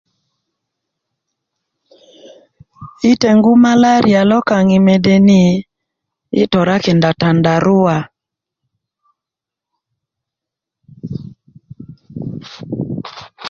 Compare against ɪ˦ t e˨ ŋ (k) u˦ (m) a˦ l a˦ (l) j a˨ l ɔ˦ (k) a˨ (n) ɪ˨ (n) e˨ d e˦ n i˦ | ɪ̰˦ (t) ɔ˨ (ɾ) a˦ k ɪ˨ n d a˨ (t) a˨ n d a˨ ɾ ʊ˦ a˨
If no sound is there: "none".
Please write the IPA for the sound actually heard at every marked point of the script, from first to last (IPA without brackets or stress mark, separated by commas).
ɡ, m, ɾ, k, ŋ, m, t, ɾ, t